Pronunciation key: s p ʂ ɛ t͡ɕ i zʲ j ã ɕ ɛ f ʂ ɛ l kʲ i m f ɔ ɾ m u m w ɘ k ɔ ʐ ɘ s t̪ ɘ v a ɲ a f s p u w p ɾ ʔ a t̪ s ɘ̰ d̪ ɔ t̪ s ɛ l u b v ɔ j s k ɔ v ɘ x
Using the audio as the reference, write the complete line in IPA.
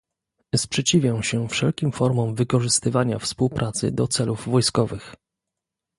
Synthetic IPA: s p ʂ ɛ t͡ɕ i vʲ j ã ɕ ɛ f ʂ ɛ l kʲ i m f ɔ ɾ m ɔ m v ɘ k ɔ ʐ ɘ s t̪ ɘ v a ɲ a f s p u w p ɾ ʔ a t̪ s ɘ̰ d̪ ɔ t̪ s ɛ l u v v ɔ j s k ɔ v ɘ x